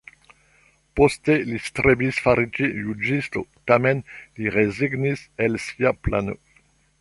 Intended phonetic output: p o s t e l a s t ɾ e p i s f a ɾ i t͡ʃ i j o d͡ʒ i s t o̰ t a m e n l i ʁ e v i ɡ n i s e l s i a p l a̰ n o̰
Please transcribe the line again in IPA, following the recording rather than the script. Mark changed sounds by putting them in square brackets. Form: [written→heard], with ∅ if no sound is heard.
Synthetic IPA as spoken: p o s t e l [a→i] s t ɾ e [p→b] i s f a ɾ i t͡ʃ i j [o→u] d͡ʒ i s t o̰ t a m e n l i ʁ e [v→z] i ɡ n i s e l s i a p l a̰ n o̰